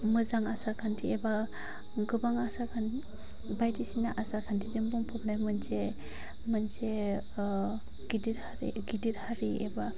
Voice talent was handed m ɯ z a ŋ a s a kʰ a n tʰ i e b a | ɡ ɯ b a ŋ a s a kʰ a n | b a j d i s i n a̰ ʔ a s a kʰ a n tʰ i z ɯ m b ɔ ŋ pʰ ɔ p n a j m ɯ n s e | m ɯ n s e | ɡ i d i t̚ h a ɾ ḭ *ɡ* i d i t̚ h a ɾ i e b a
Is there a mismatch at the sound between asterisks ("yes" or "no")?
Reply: no